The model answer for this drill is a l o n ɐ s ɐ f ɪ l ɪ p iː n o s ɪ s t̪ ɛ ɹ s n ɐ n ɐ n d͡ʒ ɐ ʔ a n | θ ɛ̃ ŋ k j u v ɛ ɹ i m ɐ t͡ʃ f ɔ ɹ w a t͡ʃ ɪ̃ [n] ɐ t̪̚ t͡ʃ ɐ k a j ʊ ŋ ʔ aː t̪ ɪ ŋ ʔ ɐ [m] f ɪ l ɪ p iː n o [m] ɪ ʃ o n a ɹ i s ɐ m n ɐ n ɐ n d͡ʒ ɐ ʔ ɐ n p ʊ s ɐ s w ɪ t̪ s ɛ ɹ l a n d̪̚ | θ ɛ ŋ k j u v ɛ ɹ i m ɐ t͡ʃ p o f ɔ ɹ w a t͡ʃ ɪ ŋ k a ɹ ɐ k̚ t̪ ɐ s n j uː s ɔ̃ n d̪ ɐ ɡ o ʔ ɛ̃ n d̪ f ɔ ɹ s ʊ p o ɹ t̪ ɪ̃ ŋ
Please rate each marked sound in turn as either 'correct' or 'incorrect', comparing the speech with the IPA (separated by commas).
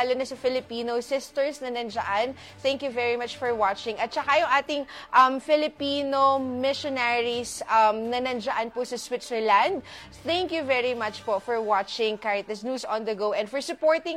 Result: incorrect, correct, correct